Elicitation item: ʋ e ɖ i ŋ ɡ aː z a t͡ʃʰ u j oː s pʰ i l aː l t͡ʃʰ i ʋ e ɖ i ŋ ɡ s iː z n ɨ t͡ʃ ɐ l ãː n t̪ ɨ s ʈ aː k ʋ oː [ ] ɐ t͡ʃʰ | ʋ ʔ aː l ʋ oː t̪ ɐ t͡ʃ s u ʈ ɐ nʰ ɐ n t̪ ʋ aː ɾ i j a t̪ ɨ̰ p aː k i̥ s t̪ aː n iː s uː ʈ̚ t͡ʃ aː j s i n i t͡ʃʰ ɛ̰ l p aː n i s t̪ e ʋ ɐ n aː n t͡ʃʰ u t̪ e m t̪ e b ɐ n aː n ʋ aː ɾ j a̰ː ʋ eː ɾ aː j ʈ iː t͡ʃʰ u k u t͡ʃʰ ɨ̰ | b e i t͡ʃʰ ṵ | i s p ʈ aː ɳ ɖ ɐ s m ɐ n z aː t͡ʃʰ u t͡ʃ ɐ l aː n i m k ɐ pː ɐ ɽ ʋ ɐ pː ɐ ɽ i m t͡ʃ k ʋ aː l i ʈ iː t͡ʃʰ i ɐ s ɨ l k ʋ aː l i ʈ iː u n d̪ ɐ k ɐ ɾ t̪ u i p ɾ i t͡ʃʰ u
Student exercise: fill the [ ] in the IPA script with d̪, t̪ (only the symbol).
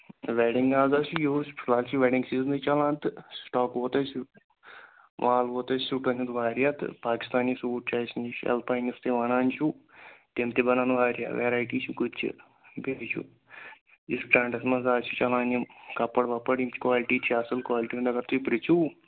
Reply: t̪